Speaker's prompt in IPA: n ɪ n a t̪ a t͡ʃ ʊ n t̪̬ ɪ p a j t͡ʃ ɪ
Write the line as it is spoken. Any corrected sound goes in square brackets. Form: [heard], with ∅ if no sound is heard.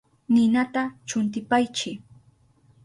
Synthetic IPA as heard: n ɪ n a t̪ a t͡ʃ ʊ n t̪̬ ɪ p a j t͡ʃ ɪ